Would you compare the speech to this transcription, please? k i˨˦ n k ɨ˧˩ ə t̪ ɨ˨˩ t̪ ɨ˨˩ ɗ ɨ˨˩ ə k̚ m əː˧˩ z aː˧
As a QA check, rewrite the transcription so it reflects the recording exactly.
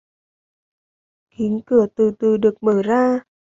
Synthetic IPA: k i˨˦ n k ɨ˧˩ ə t̪ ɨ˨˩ t̪ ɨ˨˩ ɗ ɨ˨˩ ə k̚ m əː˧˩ z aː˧